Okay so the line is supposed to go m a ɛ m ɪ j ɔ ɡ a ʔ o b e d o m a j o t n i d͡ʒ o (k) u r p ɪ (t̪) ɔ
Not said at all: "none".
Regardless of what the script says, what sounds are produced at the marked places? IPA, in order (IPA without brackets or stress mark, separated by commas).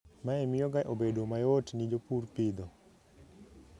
p, d̪